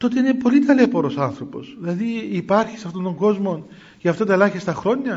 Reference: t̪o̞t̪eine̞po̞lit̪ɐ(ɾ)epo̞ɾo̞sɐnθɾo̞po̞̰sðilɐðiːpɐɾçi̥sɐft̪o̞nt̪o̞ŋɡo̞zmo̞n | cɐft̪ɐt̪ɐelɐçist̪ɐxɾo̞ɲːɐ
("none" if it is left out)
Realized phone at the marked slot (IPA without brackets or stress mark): l